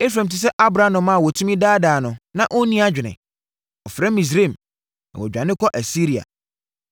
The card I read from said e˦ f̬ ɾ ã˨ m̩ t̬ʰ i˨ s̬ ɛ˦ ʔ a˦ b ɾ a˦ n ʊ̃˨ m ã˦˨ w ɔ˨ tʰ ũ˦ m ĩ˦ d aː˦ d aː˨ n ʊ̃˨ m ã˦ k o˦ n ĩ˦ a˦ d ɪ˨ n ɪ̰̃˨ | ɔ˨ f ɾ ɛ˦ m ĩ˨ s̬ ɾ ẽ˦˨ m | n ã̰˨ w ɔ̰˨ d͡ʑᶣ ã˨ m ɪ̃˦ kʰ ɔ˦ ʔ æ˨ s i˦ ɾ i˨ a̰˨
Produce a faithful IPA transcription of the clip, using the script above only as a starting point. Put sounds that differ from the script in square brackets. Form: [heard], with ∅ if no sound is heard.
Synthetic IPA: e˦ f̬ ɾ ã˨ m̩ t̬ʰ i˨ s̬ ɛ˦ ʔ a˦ b ɾ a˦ n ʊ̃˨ m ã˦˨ w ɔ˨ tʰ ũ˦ m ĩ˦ d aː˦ d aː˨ n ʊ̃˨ [n] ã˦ [ʔ] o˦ n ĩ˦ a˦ [d͡ʑᶣ] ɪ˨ n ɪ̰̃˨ | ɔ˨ f ɾ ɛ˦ m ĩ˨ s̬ ɾ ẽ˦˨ m | n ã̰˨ w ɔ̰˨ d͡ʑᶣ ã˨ [n] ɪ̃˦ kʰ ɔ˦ ʔ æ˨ s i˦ ɾ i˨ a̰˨